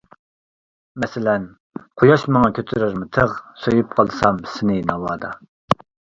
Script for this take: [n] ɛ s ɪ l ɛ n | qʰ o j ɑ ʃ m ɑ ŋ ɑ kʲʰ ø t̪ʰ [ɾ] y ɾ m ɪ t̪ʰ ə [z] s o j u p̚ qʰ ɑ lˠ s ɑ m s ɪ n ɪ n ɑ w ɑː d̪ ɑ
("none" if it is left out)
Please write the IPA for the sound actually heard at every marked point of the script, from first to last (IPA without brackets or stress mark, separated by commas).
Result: m, ɾ, ʁ